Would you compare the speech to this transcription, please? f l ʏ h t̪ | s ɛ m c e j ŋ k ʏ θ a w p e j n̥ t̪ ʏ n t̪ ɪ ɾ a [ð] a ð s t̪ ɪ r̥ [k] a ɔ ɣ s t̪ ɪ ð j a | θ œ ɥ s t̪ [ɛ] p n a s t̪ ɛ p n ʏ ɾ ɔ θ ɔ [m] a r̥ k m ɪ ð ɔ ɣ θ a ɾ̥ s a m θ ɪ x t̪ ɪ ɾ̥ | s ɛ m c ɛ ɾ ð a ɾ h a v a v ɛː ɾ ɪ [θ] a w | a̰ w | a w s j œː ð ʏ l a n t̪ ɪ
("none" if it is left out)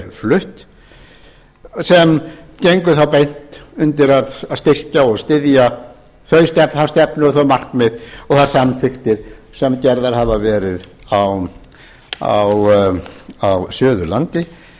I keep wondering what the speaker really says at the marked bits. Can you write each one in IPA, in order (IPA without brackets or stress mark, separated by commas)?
ð, c, ɛ, m, ð